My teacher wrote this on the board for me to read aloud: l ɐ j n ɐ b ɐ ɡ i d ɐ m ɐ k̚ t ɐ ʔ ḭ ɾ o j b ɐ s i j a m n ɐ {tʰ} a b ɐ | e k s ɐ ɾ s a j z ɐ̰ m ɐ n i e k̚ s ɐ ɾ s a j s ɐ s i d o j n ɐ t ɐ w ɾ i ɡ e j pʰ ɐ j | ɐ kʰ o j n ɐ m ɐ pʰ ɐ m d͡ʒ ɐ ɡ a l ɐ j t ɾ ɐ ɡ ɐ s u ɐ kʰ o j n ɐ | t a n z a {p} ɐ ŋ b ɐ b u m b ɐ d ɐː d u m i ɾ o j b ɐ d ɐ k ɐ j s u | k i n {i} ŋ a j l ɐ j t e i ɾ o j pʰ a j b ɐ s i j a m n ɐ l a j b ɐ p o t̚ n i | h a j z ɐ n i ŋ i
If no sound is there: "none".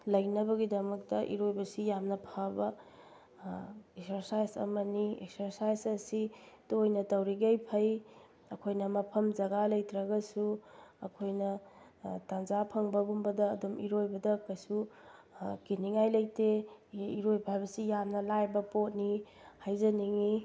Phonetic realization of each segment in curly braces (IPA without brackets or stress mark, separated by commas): pʰ, pʰ, i